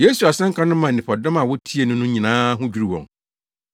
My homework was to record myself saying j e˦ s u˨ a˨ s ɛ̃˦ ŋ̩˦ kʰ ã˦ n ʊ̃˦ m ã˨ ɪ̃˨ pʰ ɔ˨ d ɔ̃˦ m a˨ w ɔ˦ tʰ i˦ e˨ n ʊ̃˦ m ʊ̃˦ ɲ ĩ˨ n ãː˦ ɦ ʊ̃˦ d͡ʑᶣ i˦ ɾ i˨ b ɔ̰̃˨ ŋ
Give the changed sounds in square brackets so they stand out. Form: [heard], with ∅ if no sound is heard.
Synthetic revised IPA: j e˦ s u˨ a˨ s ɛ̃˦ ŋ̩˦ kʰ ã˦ n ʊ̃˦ m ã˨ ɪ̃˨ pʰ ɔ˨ d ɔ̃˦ m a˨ w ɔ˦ tʰ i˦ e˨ n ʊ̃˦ [n] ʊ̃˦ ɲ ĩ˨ n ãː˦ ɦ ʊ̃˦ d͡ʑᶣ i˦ ɾ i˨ [w] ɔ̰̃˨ ŋ